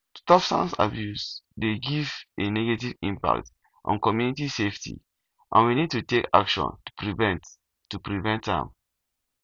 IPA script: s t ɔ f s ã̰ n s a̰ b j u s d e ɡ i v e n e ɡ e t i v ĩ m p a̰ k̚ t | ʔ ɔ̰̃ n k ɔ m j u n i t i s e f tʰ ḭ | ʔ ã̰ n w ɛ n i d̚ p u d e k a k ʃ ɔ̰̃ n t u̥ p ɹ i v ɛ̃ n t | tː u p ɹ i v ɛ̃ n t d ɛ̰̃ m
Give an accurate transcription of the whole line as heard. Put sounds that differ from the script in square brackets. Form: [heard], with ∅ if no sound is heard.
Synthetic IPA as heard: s t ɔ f s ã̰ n s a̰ b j u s d e ɡ i v e n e ɡ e t i v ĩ m p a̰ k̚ t | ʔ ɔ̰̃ n k ɔ m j u n i t i s e f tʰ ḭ | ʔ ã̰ n w [i] n i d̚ [t] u [t] e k a k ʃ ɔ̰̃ n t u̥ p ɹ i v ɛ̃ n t | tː u p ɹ i v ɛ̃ n t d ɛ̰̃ m

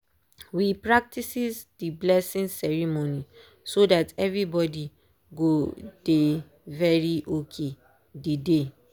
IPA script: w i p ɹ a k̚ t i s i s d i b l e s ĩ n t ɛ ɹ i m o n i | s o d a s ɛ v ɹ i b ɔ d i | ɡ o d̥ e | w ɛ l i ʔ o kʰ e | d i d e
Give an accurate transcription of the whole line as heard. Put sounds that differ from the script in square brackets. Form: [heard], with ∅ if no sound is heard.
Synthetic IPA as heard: w i p ɹ a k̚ t i s i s d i b l [ɛ] s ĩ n [s] ɛ ɹ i m o n i | s o d a [t] ɛ v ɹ i b ɔ d i | ɡ o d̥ e | [v] ɛ [ɹ] i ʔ o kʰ e | d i d e

